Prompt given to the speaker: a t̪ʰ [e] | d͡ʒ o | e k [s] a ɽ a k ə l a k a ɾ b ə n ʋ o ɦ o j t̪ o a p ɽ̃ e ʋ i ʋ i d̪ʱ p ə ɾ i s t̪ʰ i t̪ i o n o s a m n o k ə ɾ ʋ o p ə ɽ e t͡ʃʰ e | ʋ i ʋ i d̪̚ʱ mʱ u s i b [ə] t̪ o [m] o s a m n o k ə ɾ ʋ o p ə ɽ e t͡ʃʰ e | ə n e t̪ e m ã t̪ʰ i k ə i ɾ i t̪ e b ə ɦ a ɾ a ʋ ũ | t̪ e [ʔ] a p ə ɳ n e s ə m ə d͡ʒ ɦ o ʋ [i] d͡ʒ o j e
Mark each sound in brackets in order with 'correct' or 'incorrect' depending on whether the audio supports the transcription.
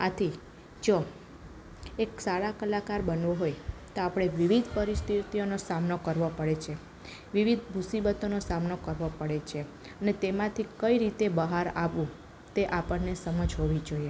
incorrect, correct, correct, incorrect, correct, correct

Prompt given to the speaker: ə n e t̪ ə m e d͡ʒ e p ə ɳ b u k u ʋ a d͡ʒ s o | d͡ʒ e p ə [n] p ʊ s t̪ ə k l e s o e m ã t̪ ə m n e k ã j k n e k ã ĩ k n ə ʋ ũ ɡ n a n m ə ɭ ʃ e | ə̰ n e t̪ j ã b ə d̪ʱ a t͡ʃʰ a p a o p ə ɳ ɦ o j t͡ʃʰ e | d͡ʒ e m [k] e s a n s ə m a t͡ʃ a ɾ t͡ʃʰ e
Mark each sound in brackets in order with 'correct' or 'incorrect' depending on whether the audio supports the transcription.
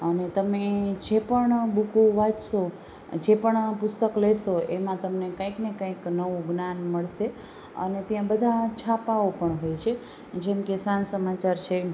incorrect, correct

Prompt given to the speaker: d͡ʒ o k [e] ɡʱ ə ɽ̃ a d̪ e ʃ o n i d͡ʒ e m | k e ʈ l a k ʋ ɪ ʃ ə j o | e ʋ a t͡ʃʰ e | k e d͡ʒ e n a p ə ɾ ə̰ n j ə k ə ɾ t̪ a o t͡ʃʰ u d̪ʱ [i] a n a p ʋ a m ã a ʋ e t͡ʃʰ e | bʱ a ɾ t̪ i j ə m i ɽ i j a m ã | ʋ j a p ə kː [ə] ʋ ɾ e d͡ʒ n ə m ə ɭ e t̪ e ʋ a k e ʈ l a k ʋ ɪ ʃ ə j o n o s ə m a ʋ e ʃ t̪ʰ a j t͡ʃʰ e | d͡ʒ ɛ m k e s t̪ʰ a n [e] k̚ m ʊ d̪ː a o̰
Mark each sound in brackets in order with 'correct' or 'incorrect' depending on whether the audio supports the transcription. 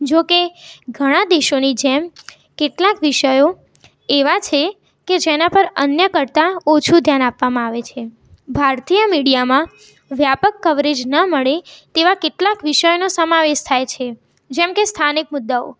correct, incorrect, correct, incorrect

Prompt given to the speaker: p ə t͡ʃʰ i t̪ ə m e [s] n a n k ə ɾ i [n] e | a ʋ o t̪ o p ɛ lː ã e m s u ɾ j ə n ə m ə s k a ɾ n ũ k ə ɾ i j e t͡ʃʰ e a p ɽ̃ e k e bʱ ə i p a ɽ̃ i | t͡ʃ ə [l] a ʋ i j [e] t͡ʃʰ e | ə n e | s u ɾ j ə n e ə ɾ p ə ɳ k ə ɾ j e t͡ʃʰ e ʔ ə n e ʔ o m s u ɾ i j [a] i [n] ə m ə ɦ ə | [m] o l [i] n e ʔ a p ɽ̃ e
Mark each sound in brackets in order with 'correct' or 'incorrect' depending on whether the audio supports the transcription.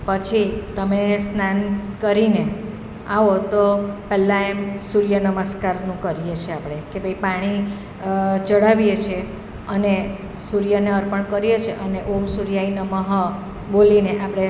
correct, correct, incorrect, correct, correct, correct, incorrect, correct

